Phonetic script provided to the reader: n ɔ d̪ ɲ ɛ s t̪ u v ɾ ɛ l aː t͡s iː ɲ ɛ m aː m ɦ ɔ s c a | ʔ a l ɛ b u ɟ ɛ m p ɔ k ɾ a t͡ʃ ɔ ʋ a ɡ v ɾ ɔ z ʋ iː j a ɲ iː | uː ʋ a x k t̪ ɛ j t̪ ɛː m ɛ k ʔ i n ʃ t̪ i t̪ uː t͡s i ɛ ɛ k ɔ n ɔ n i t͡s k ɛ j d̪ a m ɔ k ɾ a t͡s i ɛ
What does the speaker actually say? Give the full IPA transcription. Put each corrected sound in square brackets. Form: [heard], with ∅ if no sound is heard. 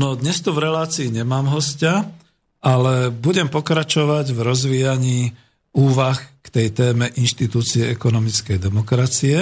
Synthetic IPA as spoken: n ɔ d̪ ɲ ɛ s t̪ u v ɾ ɛ l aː t͡s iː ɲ ɛ m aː m ɦ ɔ s c a | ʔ a l ɛ b u ɟ ɛ m p ɔ k ɾ a t͡ʃ ɔ ʋ a [ɟ] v ɾ ɔ z ʋ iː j a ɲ iː | uː ʋ a x k t̪ ɛ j t̪ ɛː m ɛ [∅] ʔ i n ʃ t̪ i t̪ uː t͡s i ɛ ɛ k ɔ n ɔ [m] i t͡s k ɛ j d̪ [ɛ] m ɔ k ɾ a t͡s i ɛ